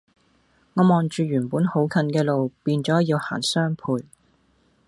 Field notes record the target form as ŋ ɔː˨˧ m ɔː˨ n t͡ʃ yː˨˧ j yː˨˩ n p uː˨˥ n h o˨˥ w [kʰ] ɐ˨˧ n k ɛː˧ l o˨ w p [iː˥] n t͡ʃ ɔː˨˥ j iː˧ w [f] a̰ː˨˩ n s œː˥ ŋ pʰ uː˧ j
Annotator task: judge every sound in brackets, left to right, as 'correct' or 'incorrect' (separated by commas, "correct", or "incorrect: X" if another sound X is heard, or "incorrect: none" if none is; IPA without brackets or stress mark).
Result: correct, incorrect: iː˧, incorrect: h